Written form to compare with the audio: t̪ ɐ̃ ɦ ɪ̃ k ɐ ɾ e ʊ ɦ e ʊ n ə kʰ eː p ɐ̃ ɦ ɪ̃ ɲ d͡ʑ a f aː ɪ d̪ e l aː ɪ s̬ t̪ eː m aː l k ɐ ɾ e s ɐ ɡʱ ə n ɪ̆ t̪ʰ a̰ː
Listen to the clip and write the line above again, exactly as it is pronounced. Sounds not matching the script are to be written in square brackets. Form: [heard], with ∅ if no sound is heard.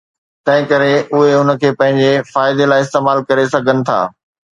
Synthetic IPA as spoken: t̪ ɐ̃ ɦ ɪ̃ k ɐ ɾ e ʊ ɦ e ʊ n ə kʰ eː p ɐ̃ ɦ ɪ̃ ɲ d͡ʑ [e] f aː ɪ d̪ e l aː ɪ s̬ t̪ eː m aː l k ɐ ɾ e s ɐ ɡʱ ə n ɪ̆ t̪ʰ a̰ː